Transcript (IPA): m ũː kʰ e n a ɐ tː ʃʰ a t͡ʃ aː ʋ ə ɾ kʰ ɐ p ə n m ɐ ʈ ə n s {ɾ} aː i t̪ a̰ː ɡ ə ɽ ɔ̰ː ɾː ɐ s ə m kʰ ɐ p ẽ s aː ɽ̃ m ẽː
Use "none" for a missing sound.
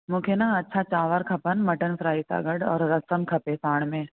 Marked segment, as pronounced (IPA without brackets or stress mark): ɾ